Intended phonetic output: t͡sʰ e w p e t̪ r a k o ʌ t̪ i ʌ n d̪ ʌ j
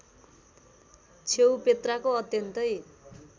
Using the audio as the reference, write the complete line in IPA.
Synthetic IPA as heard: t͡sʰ e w p e t̪ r a k o ʌ t̪ j ʌ n t̪ ʌ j